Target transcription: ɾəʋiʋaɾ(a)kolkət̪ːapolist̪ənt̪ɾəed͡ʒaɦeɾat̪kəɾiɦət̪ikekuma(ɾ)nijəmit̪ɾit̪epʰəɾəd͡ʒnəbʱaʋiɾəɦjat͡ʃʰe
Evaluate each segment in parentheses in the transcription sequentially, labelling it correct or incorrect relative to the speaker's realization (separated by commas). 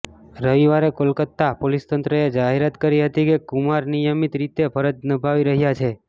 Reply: incorrect, correct